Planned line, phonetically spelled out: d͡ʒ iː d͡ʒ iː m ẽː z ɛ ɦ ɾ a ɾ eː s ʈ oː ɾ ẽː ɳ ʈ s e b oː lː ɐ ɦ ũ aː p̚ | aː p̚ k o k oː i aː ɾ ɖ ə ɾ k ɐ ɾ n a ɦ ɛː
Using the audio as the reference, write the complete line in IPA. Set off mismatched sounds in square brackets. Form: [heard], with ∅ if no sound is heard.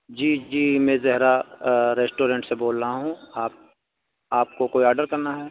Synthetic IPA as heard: d͡ʒ iː d͡ʒ iː m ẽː z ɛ ɦ ɾ a ɾ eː s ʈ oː ɾ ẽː ɳ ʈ s e b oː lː [a] ɦ ũ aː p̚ | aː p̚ k o k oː i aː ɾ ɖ ə ɾ k ɐ ɾ n a ɦ ɛː